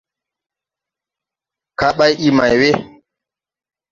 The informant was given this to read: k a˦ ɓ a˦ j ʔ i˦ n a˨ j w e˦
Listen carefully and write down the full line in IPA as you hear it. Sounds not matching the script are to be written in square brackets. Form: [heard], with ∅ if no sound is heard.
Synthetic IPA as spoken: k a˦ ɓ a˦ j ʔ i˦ [m] a˨ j w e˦